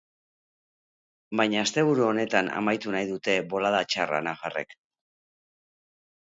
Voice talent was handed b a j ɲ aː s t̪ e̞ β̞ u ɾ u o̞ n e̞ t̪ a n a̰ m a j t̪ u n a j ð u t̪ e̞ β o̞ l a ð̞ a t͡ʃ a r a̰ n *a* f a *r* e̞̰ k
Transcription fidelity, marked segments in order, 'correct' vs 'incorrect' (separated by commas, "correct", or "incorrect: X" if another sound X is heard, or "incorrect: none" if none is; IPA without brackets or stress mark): correct, correct